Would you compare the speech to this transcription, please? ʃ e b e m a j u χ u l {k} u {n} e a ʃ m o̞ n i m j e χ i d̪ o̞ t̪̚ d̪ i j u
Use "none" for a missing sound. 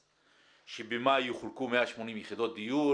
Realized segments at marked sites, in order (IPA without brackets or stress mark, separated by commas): k, m